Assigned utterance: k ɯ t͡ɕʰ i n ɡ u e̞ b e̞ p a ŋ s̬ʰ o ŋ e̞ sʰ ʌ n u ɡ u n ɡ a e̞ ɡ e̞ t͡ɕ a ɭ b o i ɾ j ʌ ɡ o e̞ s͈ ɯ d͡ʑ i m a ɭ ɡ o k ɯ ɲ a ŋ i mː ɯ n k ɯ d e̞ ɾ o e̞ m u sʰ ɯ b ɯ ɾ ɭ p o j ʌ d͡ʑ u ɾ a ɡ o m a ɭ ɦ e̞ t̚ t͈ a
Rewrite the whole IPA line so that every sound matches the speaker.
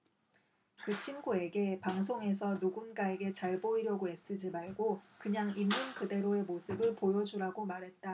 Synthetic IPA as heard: k ɯ t͡ɕʰ i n ɡ u e̞ ɡ e̞ p a ŋ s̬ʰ o ŋ e̞ sʰ ʌ n u ɡ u n ɡ a e̞ ɡ e̞ t͡ɕ a ɭ b o i ɾ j ʌ ɡ o e̞ s͈ ɯ d͡ʑ i m a ɭ ɡ o k ɯ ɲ a ŋ i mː ɯ n k ɯ d e̞ ɾ o e̞ m o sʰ ɯ b ɯ ɭ p o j ʌ d͡ʑ u ɾ a ɡ o m a ɾ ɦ e̞ t̚ t͈ a